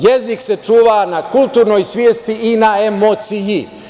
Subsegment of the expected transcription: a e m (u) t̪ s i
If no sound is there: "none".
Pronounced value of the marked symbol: o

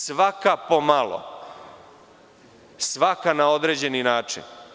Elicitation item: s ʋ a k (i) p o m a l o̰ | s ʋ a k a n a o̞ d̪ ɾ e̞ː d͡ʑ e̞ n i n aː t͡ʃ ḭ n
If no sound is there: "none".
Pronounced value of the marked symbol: a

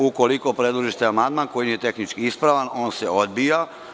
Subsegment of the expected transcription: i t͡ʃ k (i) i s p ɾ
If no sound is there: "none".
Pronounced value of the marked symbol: i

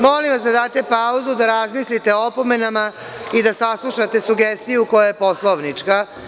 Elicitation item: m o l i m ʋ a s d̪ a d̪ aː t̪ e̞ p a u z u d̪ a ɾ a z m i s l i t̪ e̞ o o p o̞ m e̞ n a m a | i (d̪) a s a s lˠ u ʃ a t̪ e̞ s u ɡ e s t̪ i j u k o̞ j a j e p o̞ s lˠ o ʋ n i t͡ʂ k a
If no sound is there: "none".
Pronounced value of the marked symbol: d̪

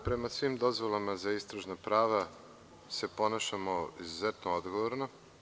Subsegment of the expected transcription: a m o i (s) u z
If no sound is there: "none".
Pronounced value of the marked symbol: z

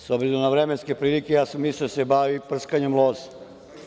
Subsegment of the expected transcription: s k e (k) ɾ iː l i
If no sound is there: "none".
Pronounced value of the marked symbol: p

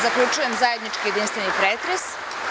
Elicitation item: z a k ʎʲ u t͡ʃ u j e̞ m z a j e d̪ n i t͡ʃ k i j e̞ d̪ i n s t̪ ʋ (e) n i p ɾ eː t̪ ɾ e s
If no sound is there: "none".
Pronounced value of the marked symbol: e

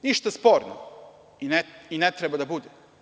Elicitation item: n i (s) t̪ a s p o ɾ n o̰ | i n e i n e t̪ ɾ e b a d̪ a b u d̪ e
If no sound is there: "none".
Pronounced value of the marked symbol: ʃ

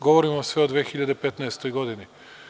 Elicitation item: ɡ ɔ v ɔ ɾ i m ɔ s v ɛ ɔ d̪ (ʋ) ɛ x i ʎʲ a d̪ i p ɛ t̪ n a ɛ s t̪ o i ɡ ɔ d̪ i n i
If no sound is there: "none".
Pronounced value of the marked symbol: v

